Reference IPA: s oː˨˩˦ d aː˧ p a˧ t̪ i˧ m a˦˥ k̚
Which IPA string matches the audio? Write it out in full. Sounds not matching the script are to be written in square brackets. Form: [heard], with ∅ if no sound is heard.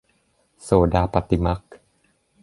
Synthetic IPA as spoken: s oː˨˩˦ d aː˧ p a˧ t̪ i˧ m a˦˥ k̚